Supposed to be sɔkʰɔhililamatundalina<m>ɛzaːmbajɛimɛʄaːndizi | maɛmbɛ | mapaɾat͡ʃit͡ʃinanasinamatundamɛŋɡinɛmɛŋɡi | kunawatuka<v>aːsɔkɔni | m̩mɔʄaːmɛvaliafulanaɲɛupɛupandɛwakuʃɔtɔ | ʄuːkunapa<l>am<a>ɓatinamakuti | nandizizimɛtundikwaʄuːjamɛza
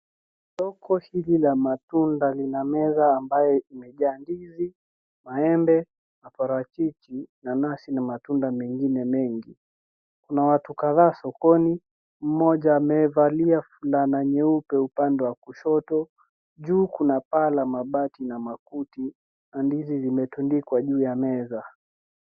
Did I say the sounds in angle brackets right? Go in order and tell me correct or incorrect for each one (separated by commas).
correct, incorrect, correct, correct